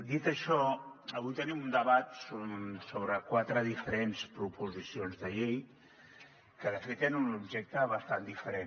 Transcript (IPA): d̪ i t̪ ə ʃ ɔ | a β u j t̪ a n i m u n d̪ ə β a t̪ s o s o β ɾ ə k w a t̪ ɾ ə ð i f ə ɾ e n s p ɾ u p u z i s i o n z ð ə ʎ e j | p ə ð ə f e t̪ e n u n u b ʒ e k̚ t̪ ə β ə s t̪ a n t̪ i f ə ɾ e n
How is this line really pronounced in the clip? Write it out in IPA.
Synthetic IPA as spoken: d̪ i t̪ ə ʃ ɔ | ə β u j t̪ ə n i m u n d̪ ə β a t̪ s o s o β ɾ ə k w a t̪ ɾ ə ð i f ə ɾ e n s p ɾ u p u z i s i o n z ð ə ʎ e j | k ə ð ə f e t̪ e n u n u b ʒ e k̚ t̪ ə β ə s t̪ a n d̪ i f ə ɾ e n